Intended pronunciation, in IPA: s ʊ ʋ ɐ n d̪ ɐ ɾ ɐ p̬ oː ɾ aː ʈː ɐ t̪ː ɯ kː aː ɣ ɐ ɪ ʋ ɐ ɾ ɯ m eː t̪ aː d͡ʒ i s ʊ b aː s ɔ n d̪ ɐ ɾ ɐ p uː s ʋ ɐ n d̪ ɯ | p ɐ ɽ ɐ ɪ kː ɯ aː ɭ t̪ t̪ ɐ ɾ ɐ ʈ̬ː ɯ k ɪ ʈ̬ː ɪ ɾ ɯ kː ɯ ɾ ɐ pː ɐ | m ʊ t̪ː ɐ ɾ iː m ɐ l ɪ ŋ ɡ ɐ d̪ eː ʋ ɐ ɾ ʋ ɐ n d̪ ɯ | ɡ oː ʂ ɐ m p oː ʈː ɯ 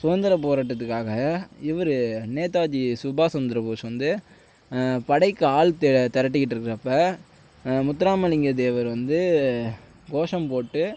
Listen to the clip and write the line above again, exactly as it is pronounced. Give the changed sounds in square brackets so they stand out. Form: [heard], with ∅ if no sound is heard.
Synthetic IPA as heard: s ʊ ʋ ɐ n d̪ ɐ ɾ ɐ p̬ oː ɾ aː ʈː ɐ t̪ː ɯ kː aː ɣ ɐ ɪ ʋ ɐ ɾ ɯ [n] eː t̪ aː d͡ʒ i s ʊ b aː s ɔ n d̪ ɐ ɾ ɐ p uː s ʋ ɐ n d̪ ɯ | p ɐ ɽ ɐ ɪ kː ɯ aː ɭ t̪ t̪ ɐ ɾ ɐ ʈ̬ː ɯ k ɪ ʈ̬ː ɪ ɾ ɯ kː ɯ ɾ ɐ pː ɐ | m ʊ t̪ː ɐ ɾ [aː] m ɐ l ɪ ŋ ɡ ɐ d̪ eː ʋ ɐ ɾ ʋ ɐ n d̪ ɯ | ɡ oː ʂ ɐ m p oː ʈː ɯ